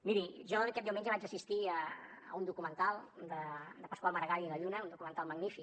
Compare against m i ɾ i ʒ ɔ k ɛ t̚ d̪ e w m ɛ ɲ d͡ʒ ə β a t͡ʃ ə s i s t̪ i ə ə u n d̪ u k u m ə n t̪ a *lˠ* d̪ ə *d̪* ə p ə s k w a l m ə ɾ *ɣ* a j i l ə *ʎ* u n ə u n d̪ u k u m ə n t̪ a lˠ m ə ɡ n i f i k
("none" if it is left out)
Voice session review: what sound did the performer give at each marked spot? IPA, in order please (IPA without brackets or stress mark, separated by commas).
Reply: lˠ, d̪, ɣ, ʎ